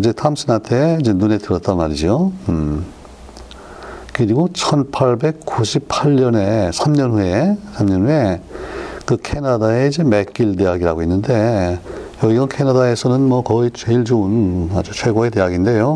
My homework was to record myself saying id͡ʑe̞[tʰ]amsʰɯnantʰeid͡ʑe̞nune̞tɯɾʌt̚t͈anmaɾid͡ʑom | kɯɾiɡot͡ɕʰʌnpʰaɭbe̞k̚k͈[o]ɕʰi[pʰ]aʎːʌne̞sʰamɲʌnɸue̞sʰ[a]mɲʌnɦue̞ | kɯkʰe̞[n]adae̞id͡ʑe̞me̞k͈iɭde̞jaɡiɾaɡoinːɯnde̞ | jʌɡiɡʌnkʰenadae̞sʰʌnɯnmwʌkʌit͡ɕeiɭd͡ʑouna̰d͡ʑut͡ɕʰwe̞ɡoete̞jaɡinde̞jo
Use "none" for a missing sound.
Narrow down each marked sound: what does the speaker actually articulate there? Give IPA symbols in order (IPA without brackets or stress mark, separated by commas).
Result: tʰ, u, pʰ, a, n